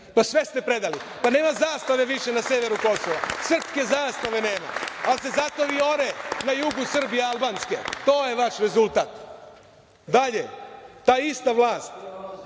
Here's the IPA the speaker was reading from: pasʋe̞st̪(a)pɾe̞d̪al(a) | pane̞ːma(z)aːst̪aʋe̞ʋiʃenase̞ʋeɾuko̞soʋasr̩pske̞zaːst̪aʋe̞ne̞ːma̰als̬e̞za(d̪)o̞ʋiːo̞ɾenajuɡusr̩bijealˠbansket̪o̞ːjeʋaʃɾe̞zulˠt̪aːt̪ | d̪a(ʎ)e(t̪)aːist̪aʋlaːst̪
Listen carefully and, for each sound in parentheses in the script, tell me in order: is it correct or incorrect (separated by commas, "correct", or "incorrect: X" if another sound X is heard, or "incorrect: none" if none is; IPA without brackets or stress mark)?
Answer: incorrect: e, incorrect: i, correct, incorrect: t̪, correct, correct